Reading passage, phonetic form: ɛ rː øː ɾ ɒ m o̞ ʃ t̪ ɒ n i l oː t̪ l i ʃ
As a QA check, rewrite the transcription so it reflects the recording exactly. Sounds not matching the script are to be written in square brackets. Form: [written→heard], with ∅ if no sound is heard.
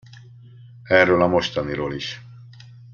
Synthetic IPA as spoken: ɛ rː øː [ɾ→l] ɒ m o̞ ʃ t̪ ɒ n i [l→ɾ] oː [t̪→∅] l i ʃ